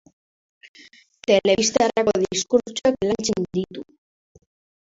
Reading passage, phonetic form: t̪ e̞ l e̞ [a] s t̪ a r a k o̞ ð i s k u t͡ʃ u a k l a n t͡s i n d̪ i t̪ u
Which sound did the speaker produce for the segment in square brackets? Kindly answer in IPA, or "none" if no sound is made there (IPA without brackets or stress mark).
i